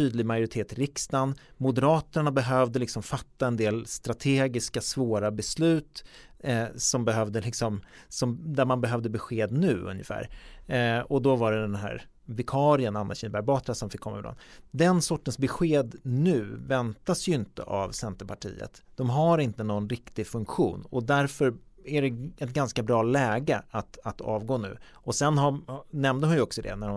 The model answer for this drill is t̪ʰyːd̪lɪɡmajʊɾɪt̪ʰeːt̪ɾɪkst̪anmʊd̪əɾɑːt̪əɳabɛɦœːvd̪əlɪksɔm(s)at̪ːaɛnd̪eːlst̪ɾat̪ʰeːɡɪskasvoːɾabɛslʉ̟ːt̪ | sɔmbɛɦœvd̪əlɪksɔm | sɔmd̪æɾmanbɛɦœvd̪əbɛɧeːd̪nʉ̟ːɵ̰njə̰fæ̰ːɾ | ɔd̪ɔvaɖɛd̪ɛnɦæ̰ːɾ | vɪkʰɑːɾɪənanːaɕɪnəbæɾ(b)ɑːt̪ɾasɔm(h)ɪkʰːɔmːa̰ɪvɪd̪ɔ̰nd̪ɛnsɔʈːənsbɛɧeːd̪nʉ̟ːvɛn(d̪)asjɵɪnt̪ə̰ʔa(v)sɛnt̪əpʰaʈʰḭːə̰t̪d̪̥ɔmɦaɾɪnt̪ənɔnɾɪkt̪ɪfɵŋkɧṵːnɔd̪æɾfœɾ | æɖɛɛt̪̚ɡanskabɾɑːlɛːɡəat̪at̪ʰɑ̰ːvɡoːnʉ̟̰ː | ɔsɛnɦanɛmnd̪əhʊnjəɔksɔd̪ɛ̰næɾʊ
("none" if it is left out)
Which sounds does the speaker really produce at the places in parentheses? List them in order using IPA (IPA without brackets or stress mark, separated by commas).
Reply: f, b, f, t̪, v